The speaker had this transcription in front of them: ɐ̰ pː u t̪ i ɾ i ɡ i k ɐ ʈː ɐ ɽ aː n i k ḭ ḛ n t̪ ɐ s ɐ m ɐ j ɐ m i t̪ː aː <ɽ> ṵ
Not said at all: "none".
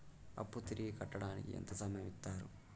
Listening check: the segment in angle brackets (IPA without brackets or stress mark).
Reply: ɾ